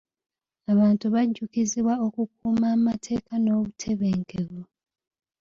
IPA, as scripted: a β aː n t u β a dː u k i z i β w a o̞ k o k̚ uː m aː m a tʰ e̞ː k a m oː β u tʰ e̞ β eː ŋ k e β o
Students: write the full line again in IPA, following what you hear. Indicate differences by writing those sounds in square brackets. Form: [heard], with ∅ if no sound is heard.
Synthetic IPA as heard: a β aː n t u β a [ɟː] u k i z i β w a o̞ k [u] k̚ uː m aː m a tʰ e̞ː k a [n] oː β u tʰ e̞ β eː ŋ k e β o